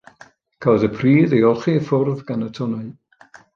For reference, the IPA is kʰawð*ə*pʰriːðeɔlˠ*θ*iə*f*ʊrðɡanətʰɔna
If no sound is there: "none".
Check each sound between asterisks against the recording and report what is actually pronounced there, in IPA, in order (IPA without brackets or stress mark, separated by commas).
ə, χ, f